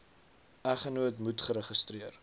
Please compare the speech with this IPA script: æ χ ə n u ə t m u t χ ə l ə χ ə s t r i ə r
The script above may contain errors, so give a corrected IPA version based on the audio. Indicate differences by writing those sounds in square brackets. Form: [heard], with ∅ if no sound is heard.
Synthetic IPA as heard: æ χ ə n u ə t m u t χ ə [ɾ] ə χ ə s t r i ə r